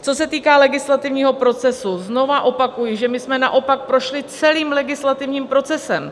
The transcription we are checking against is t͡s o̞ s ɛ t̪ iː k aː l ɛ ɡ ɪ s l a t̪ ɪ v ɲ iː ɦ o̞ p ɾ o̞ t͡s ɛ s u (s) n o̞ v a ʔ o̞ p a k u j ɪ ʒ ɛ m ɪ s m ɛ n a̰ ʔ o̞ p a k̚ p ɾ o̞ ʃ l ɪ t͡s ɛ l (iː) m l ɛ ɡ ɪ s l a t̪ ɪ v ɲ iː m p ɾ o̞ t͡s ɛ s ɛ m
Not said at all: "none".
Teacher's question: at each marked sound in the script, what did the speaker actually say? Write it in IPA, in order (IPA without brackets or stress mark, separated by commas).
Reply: z, iː